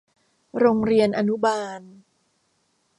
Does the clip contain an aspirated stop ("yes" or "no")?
no